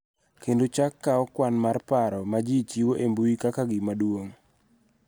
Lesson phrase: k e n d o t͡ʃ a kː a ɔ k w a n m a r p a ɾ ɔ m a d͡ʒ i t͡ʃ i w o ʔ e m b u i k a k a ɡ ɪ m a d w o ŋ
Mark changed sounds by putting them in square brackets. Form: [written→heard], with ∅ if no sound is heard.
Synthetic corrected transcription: k e n d o t͡ʃ a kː a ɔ k w a n m a r p a ɾ ɔ m a d͡ʒ i t͡ʃ i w o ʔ e m b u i k a k a ɡ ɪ m a d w o ŋ